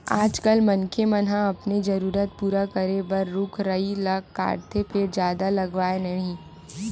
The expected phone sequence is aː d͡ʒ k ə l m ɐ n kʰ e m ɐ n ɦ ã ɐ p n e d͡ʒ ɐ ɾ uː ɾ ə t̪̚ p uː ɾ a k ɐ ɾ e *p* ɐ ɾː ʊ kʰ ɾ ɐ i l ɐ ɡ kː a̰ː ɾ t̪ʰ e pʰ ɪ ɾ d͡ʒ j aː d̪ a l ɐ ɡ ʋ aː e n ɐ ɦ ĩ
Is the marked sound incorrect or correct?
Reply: incorrect: b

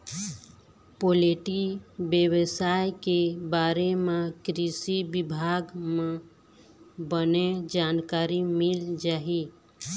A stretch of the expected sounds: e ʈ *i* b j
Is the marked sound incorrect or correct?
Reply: correct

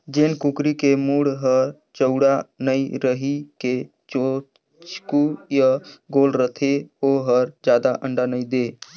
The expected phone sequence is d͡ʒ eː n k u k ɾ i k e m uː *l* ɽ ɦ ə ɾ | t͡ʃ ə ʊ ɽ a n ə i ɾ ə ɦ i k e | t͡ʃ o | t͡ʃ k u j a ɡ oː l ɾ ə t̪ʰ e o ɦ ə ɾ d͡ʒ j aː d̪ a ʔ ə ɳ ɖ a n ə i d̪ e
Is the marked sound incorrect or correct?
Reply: incorrect: none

